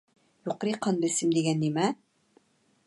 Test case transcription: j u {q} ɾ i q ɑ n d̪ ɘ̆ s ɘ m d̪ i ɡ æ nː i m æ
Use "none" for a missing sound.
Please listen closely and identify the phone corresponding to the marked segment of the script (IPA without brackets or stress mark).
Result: q